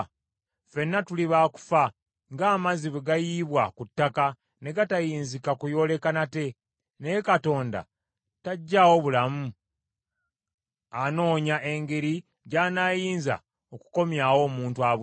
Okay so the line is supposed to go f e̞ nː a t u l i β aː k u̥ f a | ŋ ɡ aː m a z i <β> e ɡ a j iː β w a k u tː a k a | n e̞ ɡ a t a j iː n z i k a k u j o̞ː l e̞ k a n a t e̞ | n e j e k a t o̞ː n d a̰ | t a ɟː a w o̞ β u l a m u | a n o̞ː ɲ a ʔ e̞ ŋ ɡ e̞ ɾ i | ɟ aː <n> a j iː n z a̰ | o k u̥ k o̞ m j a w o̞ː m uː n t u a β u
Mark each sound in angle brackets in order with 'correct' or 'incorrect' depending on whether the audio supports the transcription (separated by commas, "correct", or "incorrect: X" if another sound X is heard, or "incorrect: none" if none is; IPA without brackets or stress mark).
correct, correct